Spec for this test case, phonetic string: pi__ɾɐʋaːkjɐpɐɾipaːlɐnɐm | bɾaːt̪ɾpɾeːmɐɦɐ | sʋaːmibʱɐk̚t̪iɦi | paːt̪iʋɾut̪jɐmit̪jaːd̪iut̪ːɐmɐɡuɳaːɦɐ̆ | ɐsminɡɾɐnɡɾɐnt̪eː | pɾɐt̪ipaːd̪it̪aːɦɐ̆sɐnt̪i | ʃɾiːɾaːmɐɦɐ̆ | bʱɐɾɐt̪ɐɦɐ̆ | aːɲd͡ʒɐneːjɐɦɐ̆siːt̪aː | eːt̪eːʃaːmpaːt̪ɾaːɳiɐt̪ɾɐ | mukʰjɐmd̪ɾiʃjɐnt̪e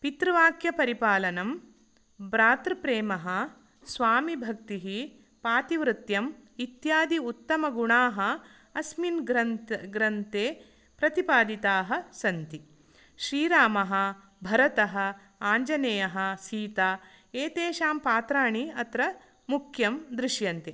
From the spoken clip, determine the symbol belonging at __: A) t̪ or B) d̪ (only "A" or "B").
A